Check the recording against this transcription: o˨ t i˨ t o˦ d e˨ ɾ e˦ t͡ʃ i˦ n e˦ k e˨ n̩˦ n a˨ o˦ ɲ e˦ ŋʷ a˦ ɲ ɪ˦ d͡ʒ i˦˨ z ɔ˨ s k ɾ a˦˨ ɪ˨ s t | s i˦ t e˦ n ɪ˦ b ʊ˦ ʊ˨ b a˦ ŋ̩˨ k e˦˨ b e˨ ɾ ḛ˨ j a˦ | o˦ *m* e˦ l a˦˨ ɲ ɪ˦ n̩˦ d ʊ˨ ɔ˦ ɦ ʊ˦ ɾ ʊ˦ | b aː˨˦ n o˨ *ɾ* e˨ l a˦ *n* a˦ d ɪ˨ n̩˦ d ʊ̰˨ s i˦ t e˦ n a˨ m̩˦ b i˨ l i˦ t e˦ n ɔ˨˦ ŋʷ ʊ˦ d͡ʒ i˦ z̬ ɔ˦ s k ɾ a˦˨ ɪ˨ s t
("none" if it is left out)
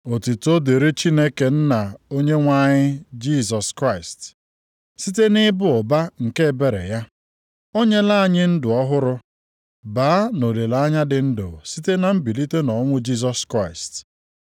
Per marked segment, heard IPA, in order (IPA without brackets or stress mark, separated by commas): ɲ, l, ɲ